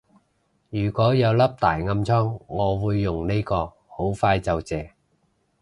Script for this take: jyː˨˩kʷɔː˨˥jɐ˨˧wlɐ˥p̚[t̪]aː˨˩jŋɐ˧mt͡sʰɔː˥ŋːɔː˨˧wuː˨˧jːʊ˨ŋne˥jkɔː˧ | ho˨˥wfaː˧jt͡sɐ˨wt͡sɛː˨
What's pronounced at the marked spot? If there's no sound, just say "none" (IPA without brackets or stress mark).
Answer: t̪